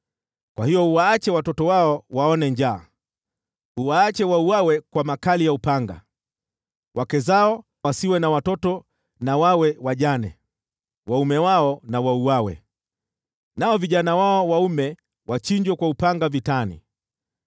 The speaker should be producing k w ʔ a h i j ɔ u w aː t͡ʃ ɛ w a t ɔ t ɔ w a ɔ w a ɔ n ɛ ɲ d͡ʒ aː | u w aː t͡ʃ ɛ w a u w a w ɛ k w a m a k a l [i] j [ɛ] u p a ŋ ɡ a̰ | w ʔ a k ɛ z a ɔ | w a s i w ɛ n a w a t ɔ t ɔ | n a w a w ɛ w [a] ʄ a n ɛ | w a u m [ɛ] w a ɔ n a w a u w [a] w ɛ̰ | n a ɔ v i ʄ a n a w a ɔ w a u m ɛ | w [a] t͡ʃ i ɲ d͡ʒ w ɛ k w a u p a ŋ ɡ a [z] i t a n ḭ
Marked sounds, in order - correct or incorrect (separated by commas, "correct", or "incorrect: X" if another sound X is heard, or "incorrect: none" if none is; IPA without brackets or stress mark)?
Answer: correct, incorrect: a, correct, correct, correct, correct, incorrect: v